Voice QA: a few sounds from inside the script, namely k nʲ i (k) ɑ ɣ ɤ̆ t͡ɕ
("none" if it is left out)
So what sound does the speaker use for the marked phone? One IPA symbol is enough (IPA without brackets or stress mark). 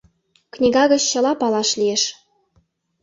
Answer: ɡ